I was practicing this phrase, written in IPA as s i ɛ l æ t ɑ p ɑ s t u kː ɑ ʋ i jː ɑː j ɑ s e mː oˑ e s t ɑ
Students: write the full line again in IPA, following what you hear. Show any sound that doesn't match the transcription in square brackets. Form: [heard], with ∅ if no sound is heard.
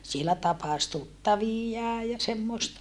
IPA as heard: s i [e] l æ t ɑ p ɑ s t u [tː] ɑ ʋ i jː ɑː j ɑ s e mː oˑ e s t ɑ